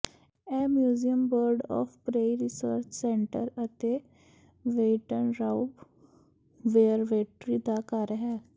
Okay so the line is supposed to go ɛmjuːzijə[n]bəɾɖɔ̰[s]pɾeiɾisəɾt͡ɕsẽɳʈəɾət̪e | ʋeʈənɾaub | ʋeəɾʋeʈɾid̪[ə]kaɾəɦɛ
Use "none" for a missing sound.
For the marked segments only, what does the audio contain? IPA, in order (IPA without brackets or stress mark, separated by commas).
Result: m, f, a